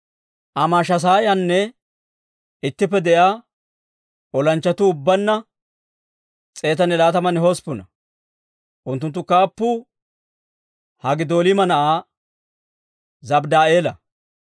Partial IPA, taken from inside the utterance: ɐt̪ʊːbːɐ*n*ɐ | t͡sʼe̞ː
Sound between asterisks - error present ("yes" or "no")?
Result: yes